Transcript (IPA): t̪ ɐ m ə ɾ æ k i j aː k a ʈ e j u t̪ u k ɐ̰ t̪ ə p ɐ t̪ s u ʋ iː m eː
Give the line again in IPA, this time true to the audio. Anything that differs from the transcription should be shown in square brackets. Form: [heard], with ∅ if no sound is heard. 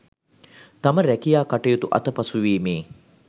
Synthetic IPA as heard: t̪ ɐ m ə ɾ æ k i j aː k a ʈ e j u t̪ u [ʔ] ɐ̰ t̪ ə p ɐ [∅] s u ʋ iː m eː